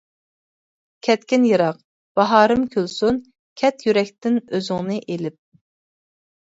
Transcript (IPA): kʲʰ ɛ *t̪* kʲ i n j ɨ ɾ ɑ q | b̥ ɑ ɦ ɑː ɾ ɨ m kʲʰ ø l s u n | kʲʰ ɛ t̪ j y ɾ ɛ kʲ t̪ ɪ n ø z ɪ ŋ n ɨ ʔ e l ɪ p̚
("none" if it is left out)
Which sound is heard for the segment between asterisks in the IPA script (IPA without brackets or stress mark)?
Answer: t̪